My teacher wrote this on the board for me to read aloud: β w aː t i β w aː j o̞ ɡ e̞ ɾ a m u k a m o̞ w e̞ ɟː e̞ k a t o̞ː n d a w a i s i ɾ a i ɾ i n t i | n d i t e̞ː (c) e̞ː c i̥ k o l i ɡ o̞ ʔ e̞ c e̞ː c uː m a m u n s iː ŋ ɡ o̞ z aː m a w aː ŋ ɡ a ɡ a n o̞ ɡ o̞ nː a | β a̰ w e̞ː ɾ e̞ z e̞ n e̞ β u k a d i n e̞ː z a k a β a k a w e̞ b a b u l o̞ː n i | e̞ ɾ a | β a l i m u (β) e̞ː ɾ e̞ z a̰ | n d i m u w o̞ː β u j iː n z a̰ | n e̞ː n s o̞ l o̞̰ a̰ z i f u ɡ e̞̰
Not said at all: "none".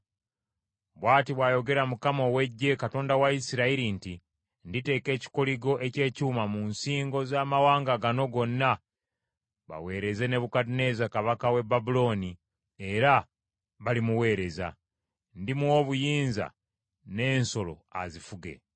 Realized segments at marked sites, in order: k, w

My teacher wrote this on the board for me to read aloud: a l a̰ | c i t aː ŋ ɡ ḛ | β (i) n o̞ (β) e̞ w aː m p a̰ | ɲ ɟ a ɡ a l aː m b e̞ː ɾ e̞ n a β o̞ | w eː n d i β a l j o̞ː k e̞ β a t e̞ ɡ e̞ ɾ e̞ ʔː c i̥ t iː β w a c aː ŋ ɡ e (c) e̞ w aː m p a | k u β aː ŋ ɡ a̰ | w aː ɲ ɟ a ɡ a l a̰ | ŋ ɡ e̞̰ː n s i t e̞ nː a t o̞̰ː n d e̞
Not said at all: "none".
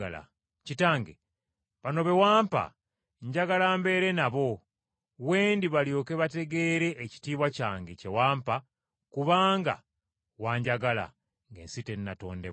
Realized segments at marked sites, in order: a, β, c

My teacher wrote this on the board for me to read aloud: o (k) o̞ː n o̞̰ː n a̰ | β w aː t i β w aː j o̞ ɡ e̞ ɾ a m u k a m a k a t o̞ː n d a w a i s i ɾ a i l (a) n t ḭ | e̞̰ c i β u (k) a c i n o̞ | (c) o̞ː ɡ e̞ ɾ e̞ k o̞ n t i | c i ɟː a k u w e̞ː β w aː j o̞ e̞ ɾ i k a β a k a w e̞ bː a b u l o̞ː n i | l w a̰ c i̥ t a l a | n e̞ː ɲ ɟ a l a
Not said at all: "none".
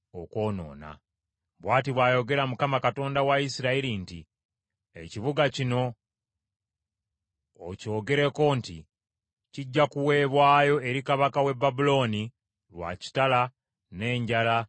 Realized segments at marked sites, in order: k, i, ɡ, c

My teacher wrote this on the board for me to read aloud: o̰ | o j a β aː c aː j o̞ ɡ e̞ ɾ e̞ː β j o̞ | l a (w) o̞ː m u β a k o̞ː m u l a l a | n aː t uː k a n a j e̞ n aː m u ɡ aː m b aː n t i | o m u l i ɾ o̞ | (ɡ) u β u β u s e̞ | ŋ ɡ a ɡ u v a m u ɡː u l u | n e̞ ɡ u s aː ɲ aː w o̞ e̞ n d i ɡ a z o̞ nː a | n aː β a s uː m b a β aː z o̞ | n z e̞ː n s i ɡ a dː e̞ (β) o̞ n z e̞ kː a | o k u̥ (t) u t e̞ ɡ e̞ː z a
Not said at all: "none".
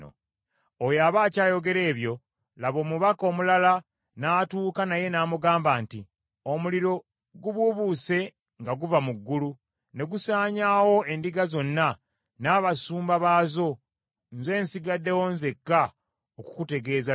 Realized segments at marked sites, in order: β, ɡ, w, k

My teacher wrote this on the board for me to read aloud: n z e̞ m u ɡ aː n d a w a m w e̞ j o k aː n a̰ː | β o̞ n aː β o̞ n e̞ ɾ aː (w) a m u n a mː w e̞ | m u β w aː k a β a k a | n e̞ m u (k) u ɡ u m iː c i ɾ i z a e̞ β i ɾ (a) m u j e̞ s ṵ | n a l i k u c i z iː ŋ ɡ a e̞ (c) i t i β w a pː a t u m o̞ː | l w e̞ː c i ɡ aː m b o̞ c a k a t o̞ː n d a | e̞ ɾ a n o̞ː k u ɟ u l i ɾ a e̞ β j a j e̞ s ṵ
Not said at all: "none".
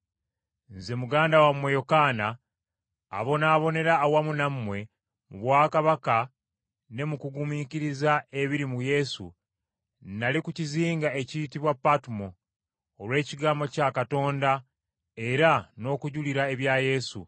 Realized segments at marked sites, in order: w, k, i, c

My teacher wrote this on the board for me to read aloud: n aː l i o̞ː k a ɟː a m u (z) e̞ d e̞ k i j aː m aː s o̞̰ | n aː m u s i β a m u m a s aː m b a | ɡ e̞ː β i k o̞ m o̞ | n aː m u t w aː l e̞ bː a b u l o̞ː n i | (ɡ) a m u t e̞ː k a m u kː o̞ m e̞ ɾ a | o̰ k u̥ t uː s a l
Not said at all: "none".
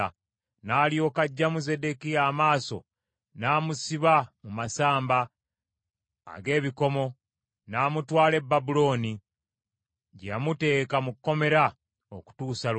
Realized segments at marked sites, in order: z, ɟ

